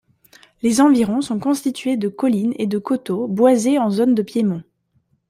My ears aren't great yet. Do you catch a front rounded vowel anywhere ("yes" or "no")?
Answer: no